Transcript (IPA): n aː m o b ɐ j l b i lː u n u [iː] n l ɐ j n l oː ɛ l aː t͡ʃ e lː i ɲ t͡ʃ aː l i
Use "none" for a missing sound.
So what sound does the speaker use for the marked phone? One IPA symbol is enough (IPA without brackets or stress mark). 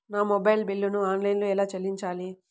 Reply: aː